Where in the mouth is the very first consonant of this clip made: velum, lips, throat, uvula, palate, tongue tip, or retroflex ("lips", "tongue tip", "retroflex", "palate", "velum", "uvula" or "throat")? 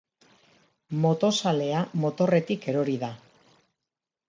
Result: lips